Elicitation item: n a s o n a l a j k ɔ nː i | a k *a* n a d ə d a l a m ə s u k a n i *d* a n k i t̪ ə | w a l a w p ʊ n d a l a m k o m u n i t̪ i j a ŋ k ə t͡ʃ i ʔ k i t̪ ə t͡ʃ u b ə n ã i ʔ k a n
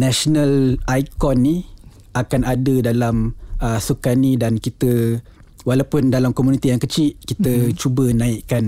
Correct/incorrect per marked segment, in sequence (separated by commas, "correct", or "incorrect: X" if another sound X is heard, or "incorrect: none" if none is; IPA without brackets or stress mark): correct, correct